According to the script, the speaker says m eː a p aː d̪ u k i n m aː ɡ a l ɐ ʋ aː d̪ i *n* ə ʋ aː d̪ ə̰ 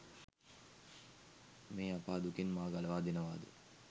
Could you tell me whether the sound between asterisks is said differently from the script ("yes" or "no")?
no